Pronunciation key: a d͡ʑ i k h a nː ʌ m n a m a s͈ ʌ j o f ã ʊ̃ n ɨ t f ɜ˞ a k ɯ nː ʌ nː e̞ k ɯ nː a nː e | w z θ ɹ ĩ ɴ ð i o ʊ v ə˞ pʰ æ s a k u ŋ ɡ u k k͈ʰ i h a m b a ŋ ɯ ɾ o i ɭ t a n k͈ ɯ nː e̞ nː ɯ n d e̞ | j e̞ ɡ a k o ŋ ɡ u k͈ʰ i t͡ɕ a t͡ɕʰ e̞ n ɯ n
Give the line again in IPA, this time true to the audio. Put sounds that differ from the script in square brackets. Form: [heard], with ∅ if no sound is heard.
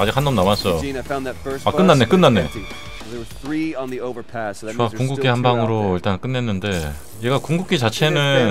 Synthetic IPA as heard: a d͡ʑ i k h a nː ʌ m n a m a s͈ ʌ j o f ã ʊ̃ n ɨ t f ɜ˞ a k ɯ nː [a] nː e̞ k ɯ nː a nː e | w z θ ɹ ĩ [n] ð i o ʊ v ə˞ pʰ æ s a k u ŋ ɡ u k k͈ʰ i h a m b a ŋ ɯ ɾ o i ɭ t a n k͈ ɯ nː e̞ nː ɯ n d e̞ | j e̞ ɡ a k [u] ŋ ɡ u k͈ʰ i t͡ɕ a t͡ɕʰ e̞ n ɯ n